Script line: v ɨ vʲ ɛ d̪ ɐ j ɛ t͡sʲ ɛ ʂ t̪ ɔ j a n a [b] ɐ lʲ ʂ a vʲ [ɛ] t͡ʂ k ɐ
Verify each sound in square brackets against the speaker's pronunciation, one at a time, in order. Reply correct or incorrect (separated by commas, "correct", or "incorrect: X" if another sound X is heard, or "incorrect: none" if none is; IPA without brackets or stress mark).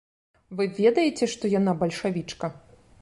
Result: correct, incorrect: i